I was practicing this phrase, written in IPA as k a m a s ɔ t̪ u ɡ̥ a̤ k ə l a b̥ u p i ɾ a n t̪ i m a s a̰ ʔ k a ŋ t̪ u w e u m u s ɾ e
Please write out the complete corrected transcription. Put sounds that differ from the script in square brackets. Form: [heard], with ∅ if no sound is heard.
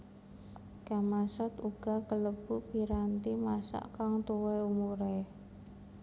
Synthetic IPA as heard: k a m a s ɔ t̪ u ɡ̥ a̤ k ə l [ə] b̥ u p i ɾ a n t̪ i m a s a̰ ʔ k a ŋ t̪ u w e u m u [∅] ɾ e